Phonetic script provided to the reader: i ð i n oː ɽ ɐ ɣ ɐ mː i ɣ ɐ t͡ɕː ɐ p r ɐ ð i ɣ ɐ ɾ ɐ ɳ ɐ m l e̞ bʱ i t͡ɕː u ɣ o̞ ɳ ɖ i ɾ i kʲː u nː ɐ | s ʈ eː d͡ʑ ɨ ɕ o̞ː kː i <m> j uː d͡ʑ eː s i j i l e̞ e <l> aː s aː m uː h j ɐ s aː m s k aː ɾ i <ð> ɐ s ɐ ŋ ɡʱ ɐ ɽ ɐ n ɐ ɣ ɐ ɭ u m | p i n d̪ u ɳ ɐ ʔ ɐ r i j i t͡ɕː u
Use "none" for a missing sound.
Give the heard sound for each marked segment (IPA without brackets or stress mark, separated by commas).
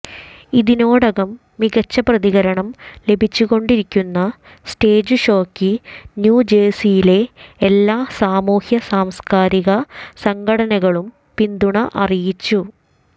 n, lː, ɣ